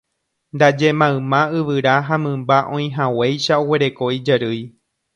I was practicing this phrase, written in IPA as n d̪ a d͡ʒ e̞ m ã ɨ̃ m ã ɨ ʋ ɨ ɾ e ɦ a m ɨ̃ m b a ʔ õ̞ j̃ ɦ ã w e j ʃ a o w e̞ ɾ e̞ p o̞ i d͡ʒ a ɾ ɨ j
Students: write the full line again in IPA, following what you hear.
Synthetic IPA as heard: n d̪ a d͡ʒ e̞ m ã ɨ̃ m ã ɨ ʋ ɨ ɾ a ɦ a m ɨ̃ m b a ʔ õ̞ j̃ ɦ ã w e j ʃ a o w e̞ ɾ e̞ k o̞ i d͡ʒ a ɾ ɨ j